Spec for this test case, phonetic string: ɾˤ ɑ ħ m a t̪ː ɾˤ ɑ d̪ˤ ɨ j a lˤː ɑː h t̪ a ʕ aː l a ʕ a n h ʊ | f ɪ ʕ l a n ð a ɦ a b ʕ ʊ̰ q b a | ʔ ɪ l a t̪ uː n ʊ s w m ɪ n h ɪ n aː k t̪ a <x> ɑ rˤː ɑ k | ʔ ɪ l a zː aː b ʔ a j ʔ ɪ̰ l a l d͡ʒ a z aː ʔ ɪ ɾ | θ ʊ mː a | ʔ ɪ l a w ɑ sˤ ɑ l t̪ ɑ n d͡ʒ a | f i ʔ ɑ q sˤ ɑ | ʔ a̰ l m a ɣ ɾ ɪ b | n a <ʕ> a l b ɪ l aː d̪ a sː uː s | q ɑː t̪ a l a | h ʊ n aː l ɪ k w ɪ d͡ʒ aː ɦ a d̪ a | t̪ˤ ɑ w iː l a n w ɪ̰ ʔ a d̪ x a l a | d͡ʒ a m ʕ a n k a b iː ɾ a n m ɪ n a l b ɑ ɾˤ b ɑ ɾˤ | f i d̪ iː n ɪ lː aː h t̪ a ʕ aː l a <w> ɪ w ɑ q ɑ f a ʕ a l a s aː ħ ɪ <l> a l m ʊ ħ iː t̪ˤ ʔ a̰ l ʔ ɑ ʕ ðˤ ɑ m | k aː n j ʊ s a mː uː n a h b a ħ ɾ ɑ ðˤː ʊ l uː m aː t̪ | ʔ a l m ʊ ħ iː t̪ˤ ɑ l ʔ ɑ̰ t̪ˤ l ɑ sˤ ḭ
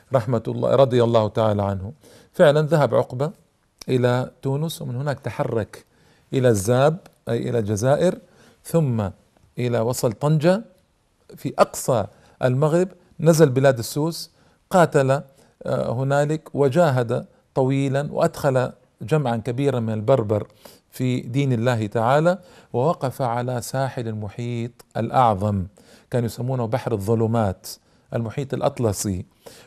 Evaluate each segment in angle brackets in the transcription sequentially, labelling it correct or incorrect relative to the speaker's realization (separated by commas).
incorrect, incorrect, correct, correct